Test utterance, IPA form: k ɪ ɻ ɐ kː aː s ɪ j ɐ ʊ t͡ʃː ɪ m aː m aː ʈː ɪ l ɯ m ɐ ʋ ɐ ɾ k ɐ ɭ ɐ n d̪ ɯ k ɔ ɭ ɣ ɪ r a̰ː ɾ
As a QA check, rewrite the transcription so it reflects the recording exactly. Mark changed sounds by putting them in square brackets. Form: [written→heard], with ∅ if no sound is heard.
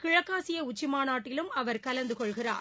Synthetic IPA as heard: k ɪ ɻ ɐ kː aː s ɪ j ɐ ʊ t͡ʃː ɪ m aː [m→n] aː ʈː ɪ l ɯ m ɐ ʋ ɐ ɾ k ɐ [ɭ→l] ɐ n d̪ ɯ k ɔ ɭ ɣ ɪ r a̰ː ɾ